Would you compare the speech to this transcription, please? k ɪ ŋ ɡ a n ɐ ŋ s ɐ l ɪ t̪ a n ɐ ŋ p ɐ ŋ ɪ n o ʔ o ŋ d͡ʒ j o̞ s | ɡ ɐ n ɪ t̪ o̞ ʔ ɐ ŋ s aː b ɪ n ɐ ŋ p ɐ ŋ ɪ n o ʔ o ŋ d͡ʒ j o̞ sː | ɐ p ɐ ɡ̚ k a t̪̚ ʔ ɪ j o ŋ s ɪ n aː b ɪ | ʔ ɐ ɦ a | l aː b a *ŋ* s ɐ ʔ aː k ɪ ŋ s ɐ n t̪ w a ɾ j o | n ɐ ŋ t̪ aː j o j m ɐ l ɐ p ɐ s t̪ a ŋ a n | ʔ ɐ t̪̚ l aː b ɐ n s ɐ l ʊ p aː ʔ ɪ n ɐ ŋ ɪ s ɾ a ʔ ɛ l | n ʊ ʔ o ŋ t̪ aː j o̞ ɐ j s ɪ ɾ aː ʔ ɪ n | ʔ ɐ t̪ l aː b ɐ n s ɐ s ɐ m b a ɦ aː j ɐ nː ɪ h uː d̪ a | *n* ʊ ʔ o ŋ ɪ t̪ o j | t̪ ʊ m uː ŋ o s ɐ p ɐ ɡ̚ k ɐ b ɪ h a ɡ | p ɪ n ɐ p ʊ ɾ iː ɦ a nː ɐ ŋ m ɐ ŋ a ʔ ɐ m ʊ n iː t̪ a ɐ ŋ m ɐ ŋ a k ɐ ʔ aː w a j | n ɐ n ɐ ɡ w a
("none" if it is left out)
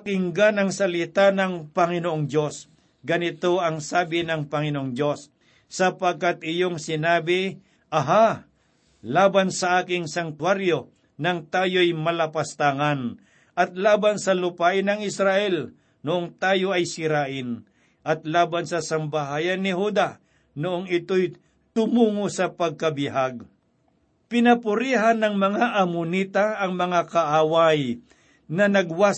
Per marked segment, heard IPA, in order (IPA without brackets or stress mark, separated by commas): n, n